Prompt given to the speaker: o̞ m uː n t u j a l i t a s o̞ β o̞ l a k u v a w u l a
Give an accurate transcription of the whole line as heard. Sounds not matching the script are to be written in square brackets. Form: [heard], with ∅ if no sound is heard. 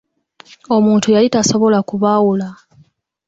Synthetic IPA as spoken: o̞ m uː n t u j a l i t a s o̞ β o̞ l a k u [β] a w u l a